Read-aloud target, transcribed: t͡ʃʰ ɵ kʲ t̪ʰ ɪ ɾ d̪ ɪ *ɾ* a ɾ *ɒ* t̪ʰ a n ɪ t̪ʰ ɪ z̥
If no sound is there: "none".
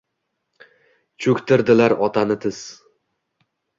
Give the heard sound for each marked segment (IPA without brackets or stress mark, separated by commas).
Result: l, ɒ